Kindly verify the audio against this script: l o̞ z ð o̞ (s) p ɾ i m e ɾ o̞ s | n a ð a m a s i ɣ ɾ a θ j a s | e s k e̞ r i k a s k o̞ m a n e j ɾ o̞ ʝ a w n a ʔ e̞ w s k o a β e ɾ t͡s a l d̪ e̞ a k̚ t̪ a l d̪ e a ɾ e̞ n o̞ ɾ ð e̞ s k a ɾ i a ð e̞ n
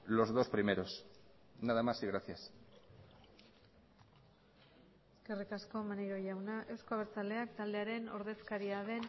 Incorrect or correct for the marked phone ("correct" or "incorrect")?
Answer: correct